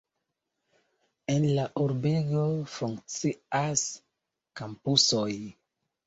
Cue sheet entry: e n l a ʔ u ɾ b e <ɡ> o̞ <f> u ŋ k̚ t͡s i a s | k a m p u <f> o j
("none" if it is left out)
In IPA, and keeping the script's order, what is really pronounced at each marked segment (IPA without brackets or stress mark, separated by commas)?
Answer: ɡ, f, s